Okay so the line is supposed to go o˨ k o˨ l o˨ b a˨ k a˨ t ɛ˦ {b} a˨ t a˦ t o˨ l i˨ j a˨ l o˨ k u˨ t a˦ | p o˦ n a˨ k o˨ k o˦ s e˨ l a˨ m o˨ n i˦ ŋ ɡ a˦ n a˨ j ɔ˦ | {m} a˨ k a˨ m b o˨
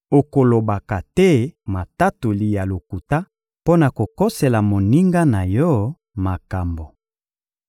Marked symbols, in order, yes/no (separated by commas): no, yes